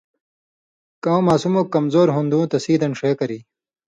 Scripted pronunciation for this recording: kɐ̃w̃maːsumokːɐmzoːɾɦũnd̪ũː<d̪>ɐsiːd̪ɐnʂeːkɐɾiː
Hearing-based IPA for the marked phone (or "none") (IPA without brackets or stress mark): t̪